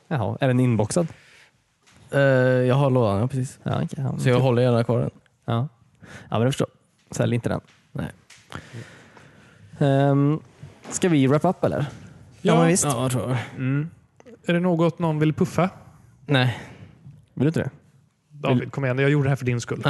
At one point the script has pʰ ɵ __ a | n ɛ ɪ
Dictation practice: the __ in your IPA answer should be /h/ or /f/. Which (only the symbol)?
f